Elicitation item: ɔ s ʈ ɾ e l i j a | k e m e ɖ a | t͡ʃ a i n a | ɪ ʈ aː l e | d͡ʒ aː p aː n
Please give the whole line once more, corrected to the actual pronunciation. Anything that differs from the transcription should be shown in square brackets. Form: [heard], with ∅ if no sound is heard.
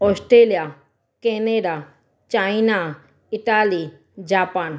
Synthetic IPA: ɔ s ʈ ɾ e l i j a | k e [n] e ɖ a | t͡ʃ a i n a | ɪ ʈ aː l [i] | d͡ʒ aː p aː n